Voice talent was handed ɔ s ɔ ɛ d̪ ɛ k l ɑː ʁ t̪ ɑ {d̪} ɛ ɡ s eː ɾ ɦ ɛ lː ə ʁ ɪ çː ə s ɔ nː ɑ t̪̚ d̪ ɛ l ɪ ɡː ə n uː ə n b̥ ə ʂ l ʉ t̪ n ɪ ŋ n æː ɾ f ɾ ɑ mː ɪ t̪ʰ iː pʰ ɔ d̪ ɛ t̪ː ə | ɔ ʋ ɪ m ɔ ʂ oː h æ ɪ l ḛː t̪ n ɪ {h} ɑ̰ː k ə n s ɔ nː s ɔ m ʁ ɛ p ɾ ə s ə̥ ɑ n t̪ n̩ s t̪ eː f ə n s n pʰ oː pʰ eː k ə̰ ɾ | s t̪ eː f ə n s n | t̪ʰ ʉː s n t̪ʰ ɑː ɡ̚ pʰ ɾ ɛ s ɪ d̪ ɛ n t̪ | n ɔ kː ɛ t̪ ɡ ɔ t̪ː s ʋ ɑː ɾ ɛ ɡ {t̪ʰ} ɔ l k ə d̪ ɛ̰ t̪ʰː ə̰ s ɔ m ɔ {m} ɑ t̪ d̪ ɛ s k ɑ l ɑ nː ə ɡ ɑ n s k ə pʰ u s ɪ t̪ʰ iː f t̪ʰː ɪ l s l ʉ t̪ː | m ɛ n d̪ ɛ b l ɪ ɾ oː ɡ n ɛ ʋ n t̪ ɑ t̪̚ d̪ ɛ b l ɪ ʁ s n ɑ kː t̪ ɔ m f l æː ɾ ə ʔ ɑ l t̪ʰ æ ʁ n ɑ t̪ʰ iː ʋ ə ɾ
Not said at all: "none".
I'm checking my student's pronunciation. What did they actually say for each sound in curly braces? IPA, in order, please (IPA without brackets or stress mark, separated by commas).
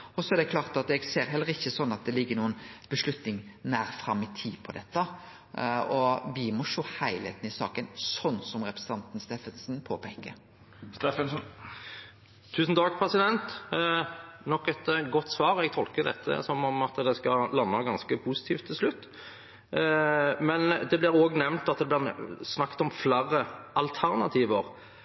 t̪, s, t̪ʰ, m